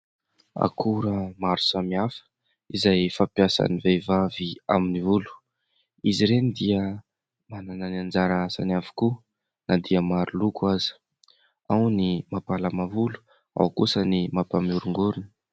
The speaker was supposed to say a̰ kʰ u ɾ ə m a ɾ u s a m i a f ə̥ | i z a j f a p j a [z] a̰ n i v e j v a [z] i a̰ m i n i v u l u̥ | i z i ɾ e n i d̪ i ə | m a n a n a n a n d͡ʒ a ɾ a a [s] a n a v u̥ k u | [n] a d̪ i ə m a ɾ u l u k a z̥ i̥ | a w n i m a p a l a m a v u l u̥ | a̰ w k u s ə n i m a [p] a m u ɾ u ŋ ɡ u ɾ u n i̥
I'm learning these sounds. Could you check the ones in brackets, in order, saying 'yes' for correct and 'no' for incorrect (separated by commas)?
no, no, yes, yes, yes